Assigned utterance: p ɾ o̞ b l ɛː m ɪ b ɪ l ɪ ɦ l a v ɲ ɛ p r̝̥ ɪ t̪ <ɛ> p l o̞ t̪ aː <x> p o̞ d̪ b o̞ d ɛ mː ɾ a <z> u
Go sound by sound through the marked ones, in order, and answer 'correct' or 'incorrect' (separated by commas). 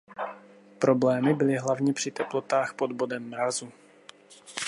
correct, correct, correct